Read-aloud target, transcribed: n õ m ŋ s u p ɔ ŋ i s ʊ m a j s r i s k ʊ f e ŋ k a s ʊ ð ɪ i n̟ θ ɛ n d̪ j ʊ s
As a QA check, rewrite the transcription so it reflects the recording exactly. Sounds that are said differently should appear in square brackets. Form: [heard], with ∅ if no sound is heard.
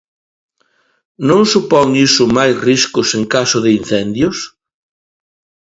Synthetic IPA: n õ [∅] ŋ s u p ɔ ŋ i s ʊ m a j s r i s k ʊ [s] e ŋ k a s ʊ ð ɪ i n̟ θ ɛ n d̪ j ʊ s